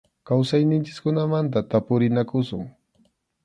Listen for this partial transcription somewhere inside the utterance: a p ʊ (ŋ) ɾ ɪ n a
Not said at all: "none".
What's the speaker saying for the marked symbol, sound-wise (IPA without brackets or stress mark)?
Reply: none